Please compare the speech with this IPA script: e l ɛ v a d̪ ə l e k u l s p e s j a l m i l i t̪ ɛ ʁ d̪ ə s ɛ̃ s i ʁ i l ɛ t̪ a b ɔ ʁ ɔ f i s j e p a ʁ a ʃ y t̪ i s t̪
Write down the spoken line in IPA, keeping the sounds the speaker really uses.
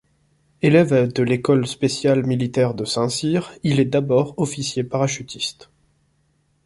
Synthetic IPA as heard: e l ɛ v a d̪ ə l e k ɔ l s p e s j a l m i l i t̪ ɛ ʁ d̪ ə s ɛ̃ s i ʁ i l ɛ d̪ a b ɔ ʁ ɔ f i s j e p a ʁ a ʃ y t̪ i s t̪